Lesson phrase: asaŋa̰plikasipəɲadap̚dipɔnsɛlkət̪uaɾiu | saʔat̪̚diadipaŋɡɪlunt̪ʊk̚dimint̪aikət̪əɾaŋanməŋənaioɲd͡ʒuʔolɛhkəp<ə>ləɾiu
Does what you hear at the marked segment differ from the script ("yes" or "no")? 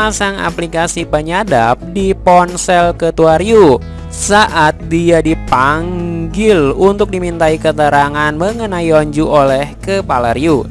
yes